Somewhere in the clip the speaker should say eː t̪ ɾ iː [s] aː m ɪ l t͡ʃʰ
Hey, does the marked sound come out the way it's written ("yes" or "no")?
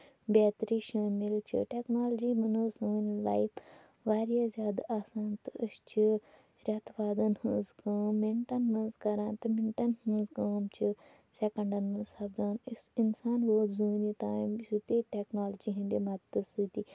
no